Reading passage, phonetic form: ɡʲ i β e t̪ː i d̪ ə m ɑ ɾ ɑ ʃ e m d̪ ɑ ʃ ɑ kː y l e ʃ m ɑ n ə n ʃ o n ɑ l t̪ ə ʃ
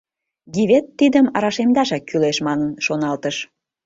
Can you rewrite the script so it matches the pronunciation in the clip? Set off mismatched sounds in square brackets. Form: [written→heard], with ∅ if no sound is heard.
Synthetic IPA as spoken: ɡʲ i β e t̪ː i d̪ ə m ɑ ɾ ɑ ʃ e m d̪ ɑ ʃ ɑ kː y l e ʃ m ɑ n ə n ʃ o n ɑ l t̪ ə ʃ